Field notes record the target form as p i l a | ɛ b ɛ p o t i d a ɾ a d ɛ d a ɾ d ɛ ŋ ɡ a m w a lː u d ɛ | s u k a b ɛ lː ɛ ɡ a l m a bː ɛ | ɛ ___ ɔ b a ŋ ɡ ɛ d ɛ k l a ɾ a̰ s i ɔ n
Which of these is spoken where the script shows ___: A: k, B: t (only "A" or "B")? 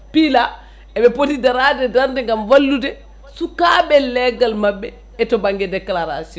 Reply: B